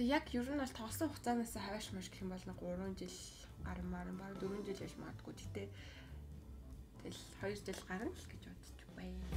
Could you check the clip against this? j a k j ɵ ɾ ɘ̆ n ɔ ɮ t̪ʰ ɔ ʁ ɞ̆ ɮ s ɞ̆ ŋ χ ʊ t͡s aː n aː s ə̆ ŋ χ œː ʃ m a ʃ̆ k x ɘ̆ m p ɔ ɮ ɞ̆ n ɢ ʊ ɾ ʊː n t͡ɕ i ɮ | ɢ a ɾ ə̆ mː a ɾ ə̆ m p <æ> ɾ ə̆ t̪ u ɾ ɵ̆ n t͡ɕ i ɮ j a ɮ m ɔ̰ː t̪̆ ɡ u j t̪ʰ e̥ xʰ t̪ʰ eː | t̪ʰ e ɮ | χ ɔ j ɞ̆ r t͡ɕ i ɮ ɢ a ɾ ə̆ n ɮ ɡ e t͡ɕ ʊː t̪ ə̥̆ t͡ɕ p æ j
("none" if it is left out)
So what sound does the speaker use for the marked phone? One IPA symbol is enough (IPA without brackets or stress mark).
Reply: a